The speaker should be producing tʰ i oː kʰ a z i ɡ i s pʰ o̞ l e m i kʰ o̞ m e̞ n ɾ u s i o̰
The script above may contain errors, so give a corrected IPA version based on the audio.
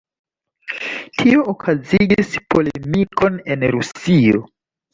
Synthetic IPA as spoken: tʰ i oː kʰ a z i ɡ i s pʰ o̞ l e m i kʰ o̞ n e̞ n ɾ u s i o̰